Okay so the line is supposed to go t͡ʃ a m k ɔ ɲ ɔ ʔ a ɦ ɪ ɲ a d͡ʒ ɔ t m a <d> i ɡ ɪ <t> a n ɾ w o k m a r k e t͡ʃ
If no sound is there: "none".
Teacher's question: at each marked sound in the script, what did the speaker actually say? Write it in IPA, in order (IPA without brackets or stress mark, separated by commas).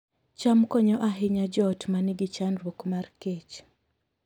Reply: n, t͡ʃ